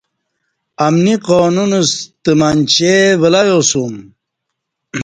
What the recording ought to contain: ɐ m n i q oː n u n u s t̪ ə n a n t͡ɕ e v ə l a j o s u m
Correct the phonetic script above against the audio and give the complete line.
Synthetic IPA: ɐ m n i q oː n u n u s t̪ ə m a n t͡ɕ e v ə l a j o s u m